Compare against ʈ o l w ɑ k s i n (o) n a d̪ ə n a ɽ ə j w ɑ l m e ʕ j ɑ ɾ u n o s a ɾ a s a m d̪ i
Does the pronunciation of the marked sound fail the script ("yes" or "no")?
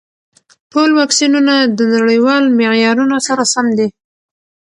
yes